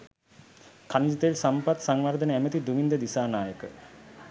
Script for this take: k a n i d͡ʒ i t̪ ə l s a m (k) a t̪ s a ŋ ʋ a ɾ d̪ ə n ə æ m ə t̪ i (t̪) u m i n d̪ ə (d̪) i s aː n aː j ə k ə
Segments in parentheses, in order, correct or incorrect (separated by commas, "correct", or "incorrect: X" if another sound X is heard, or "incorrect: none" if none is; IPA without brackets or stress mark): incorrect: p, incorrect: d̪, correct